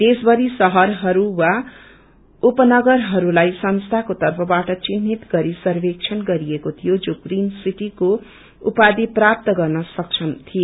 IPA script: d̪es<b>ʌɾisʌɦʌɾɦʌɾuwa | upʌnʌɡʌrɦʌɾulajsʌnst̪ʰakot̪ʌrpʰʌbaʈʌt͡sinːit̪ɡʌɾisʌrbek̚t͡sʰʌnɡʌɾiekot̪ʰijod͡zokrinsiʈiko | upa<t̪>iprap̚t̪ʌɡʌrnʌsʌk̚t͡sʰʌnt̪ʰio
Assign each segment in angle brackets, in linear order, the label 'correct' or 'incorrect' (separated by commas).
correct, incorrect